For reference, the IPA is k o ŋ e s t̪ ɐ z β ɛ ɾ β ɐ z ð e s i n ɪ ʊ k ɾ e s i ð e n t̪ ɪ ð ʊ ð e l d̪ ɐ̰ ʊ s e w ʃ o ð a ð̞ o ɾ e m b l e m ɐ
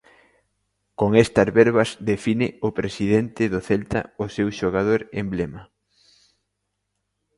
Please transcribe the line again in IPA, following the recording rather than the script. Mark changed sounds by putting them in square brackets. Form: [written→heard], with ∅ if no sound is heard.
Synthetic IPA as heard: k o ŋ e s t̪ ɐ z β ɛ ɾ β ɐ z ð e [s→f] i n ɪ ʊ [k→p] ɾ e s i ð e n t̪ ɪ ð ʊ [ð→θ] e l [d̪→t̪] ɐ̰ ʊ s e w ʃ o [ð→ɣ] a ð̞ o ɾ e m b l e m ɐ